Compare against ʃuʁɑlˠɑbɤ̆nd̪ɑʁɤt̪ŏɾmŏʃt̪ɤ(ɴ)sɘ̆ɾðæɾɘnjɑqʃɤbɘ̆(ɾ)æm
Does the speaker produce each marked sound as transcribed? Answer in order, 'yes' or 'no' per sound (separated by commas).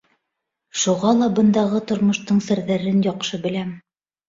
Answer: yes, no